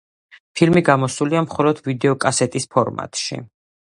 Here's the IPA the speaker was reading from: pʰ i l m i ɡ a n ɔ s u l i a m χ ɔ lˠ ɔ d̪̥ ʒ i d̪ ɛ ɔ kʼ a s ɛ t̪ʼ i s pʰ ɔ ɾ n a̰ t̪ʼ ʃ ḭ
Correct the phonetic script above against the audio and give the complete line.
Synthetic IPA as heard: pʰ i l m i ɡ a m ɔ s u l i a m χ ɔ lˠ ɔ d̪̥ v i d̪ ɛ ɔ kʼ a s ɛ t̪ʼ i s pʰ ɔ ɾ m a̰ t̪ʼ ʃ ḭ